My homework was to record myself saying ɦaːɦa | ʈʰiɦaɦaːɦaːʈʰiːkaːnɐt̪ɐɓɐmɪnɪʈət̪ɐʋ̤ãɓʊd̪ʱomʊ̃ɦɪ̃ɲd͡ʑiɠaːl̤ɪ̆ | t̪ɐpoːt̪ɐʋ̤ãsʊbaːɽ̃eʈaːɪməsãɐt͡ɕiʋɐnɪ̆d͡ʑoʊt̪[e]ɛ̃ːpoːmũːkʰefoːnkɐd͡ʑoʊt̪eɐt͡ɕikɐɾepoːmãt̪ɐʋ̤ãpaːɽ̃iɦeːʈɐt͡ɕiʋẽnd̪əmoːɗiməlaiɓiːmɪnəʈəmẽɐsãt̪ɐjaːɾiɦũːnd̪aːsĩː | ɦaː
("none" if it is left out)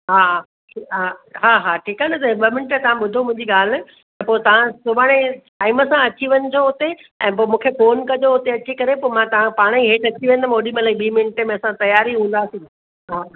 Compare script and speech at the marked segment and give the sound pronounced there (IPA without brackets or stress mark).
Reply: e